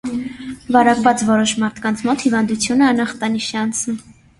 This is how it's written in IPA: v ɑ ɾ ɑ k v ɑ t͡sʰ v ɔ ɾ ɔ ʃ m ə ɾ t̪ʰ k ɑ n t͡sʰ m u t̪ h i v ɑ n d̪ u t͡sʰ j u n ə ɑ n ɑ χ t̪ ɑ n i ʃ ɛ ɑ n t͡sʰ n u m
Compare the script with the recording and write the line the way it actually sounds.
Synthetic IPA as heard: v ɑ ɾ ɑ k v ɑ t͡s v ɔ ɾ ɔ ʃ m ɑ ɾ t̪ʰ k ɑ n t͡sʰ m ɔ t̪ h i v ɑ n d̪ u t͡sʰ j u n ə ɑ n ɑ χ t̪ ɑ n i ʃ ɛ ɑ n t͡sʰ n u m

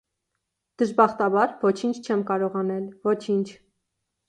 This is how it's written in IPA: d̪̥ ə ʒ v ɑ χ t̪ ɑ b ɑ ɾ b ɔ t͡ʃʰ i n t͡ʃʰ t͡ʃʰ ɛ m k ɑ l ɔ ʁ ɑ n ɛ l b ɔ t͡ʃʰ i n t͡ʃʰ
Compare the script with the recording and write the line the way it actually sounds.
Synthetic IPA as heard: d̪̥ ə ʒ b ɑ χ t̪ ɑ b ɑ ɾ v ɔ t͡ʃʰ i n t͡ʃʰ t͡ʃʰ ɛ m k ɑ ɾ ɔ ʁ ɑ n ɛ l v ɔ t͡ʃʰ i n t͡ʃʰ

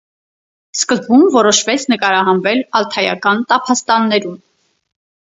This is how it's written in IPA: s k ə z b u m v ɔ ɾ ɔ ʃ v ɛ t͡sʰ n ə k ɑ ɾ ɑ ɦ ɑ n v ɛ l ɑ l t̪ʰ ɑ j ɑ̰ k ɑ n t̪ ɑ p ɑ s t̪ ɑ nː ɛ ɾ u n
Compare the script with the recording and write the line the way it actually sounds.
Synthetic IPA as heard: s k ə z b u m v ɔ ɾ ɔ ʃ v ɛ t͡sʰ n ə k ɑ ɾ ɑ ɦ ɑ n v ɛ l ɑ l t̪ʰ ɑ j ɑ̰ k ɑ n t̪ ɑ pʰ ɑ s t̪ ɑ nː ɛ ɾ u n

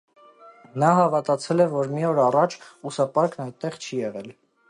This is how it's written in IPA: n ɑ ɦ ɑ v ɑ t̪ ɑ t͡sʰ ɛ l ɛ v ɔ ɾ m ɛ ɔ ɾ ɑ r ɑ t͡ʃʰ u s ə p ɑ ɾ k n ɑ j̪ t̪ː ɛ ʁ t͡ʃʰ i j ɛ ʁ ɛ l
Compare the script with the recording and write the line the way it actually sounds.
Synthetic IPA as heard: n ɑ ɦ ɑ v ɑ t̪ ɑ t͡sʰ ɛ l ɛ v ɔ ɾ m i ɔ ɾ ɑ r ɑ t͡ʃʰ u s ɑ p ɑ ɾ k n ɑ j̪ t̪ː ɛ ʁ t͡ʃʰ i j ɛ ʁ ɛ l

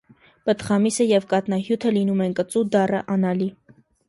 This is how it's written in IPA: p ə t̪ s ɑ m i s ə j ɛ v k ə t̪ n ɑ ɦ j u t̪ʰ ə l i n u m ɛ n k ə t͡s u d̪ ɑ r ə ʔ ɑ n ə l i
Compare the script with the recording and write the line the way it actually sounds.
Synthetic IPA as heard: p ə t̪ χ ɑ m i s ə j ɛ v k ɑ t̪ n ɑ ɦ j u t̪ʰ ə l i n u m ɛ n k ə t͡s u d̪ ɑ r ə ʔ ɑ n ɑ l i

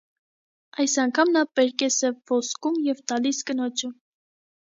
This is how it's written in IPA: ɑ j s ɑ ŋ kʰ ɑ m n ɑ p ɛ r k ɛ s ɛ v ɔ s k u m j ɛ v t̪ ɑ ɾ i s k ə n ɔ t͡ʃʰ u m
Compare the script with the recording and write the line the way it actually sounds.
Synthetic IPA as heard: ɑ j s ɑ ŋ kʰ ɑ m n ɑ p ɛ ɾ k ɛ s ɛ v ɔ s k u m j ɛ v t̪ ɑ l i s k ə n ɔ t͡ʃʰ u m

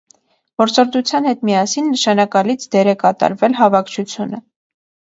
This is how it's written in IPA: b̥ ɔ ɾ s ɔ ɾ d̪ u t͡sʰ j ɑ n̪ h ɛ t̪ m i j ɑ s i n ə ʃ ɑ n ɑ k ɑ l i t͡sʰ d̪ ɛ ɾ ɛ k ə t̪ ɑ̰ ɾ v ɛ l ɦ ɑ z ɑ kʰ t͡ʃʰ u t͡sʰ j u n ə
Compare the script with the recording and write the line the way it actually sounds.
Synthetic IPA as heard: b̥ ɔ ɾ t͡s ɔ ɾ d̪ u t͡sʰ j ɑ n̪ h ɛ t̪ m i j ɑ s i nː ə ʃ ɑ n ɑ k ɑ l i t͡sʰ d̪ ɛ ɾ ɛ k ɑ t̪ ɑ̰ ɾ v ɛ l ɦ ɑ v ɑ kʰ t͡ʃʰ u t͡sʰ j u n ə

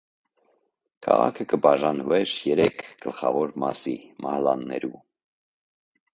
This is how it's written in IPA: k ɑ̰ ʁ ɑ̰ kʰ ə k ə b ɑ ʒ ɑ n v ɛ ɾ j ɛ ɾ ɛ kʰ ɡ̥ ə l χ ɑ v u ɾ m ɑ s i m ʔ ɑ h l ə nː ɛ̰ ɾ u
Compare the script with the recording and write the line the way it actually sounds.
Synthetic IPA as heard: kʰ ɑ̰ ʁ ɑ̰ kʰ ə k ə b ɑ ʒ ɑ n v ɛ ɾ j ɛ ɾ ɛ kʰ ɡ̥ ə l χ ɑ v ɔ ɾ m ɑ s i m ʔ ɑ h l ɑ nː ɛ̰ ɾ u

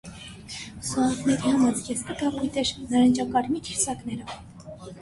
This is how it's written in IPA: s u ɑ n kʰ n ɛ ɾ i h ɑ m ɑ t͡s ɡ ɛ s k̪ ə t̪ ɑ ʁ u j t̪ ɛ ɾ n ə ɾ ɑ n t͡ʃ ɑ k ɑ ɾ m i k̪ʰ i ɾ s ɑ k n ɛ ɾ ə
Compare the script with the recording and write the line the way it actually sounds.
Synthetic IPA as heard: s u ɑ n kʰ n ɛ ɾ i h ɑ m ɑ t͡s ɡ ɛ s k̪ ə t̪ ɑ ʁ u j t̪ ɛ ɾ n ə ɾ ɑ n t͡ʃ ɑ k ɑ ɾ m i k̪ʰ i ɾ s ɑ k n ɛ ɾ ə

